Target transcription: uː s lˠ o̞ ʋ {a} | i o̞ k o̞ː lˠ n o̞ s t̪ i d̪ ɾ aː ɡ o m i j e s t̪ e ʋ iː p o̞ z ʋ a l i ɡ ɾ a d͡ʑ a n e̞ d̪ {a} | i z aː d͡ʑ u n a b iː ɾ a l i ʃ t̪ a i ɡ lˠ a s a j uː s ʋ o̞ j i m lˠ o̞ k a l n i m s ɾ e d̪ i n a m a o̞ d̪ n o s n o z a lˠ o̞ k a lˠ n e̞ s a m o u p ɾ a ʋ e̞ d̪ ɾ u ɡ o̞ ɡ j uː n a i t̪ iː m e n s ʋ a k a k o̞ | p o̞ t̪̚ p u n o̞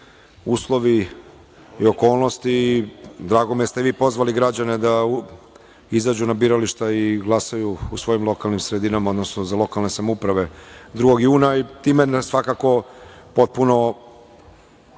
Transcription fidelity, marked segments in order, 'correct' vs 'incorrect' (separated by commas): incorrect, correct